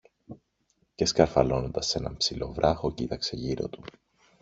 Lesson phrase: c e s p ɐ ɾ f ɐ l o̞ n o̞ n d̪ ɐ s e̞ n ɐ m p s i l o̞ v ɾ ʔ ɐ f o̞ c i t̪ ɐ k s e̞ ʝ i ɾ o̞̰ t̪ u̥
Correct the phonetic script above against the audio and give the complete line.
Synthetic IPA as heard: c e s k ɐ ɾ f ɐ l o̞ n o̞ n d̪ ɐ s e̞ n ɐ m p s i l o̞ v ɾ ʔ ɐ x o̞ c i t̪ ɐ k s e̞ ʝ i ɾ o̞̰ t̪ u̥